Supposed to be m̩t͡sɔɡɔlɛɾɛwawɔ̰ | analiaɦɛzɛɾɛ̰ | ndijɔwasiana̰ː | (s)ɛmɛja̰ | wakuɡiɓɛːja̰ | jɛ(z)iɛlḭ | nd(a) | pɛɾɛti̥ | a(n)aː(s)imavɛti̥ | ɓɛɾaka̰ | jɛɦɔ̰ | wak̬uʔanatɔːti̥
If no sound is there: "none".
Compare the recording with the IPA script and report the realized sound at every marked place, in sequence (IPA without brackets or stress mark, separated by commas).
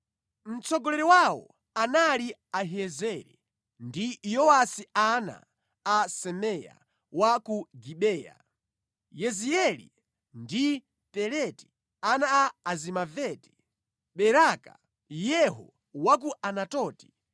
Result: s, z, i, n, z